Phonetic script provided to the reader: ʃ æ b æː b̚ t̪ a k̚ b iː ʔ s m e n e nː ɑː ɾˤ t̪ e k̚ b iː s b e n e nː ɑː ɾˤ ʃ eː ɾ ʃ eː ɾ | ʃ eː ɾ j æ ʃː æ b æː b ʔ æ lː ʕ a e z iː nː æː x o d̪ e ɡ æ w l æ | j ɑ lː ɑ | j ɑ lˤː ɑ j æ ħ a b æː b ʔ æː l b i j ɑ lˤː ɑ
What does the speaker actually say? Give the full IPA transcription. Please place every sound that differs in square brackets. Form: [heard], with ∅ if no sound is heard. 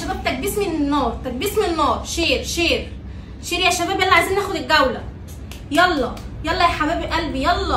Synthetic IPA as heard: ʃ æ b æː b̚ t̪ [æ] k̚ b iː [∅] s m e n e nː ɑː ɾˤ t̪ [æ] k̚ b iː s [m] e n e nː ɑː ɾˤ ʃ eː ɾ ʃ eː ɾ | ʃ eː ɾ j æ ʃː æ b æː b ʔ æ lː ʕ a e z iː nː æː x o d̪ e ɡ æ w l æ | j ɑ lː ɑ | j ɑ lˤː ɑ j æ ħ a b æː b ʔ [æ] l b i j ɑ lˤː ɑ

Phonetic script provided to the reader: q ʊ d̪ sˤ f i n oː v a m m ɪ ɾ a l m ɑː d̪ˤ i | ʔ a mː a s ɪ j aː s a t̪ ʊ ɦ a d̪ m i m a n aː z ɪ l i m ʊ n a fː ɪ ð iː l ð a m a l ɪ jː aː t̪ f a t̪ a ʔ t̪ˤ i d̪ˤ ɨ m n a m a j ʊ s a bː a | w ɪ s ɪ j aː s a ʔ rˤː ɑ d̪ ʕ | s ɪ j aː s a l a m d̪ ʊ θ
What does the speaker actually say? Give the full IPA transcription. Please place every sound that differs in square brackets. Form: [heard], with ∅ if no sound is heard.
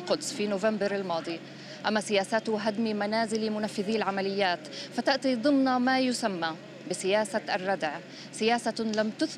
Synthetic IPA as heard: q ʊ d̪ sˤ f i n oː v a m [b] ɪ ɾ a l m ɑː d̪ˤ i | ʔ a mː a s ɪ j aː s a t̪ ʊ ɦ a d̪ m i m a n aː z ɪ l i m ʊ n a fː ɪ ð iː l [ʕ] a m a l ɪ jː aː t̪ f a t̪ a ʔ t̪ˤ i d̪ˤ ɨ m n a m a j ʊ s a [mː] a | [b] ɪ s ɪ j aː s a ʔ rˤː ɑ d̪ ʕ | s ɪ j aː s a l a m [t̪] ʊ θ

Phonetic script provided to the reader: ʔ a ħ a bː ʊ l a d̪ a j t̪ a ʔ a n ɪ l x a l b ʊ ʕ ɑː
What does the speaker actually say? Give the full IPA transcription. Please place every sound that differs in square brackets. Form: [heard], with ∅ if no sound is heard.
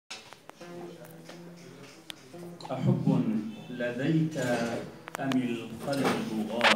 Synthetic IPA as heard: ʔ a ħ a bː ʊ l a d̪ a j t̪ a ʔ a [m] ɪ l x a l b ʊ [ɣ] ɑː

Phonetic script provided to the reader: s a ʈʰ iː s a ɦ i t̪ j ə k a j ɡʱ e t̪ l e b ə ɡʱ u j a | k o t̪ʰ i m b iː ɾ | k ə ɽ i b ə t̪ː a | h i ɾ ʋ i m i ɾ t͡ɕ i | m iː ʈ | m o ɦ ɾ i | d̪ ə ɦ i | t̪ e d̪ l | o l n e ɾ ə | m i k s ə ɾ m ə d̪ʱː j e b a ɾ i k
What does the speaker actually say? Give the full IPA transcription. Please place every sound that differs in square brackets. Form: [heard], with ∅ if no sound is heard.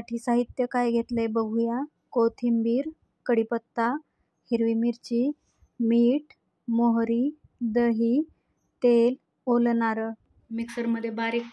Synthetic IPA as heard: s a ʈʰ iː s a ɦ i t̪ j ə k a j ɡʱ e t̪ l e b ə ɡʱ u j a | k o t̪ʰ i m b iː ɾ | k ə ɽ i [p] ə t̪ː a | h i ɾ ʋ i m i ɾ t͡ɕ i | m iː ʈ | m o ɦ ɾ i | d̪ ə ɦ i | t̪ e [∅] l | o l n [a] ɾ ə | m i k s ə ɾ m ə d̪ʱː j e b a ɾ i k

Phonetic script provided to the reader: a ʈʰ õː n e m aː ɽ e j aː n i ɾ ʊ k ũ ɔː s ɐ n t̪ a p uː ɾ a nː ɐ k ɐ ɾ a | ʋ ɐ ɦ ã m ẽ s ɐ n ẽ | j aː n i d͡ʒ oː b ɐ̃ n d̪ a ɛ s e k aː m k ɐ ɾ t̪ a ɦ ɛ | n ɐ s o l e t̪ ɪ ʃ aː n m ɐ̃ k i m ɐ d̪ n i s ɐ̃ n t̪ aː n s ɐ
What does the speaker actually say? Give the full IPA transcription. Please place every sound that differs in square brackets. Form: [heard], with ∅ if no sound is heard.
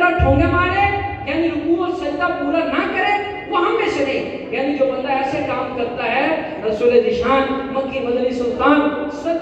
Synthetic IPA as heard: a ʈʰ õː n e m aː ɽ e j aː n i ɾ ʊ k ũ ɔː s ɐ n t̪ a p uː ɾ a [n] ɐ k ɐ ɾ [e] | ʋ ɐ ɦ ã m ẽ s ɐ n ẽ | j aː n i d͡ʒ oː b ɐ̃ n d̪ a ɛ s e k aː m k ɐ ɾ t̪ a ɦ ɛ | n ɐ s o l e [d̪] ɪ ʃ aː n m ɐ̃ k i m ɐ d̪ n i s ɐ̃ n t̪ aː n s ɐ

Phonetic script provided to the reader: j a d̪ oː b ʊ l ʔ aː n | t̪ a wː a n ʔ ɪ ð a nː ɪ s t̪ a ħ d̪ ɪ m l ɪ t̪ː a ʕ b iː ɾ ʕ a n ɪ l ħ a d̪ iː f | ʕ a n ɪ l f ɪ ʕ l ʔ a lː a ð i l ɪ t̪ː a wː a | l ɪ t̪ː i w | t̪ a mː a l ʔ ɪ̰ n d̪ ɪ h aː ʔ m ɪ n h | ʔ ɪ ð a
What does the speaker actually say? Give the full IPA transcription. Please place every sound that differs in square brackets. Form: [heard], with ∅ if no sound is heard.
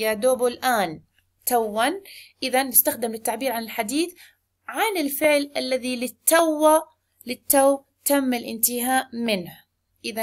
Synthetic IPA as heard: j a d̪ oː b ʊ l ʔ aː n | t̪ a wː a n ʔ ɪ ð a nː ɪ s t̪ a [x] d̪ ɪ m l ɪ t̪ː a ʕ b iː ɾ ʕ a n ɪ l ħ a d̪ iː [θ] | ʕ a n ɪ l f ɪ ʕ l ʔ a lː a ð i l ɪ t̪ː a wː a | l ɪ t̪ː [a] w | t̪ a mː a l ʔ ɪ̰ n [t̪] ɪ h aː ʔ m ɪ n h | ʔ ɪ ð a

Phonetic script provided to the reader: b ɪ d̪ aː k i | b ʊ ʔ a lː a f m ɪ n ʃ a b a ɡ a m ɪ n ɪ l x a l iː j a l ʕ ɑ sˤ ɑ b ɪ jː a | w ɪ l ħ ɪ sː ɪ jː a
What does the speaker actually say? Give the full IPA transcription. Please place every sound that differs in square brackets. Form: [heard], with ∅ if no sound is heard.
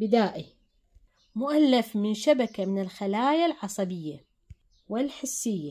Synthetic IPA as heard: b ɪ d̪ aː [ʔ] i | [m] ʊ ʔ a lː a f m ɪ n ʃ a b a [k] a m ɪ n ɪ l x a l [aː] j a l ʕ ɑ sˤ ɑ b ɪ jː a | w ɪ l ħ ɪ sː ɪ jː a

